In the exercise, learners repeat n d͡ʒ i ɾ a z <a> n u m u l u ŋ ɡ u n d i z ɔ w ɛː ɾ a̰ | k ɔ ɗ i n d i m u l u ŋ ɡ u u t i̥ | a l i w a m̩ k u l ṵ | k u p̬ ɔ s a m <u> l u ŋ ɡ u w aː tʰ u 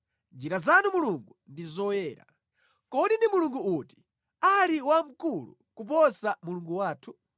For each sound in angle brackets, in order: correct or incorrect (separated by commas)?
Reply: correct, correct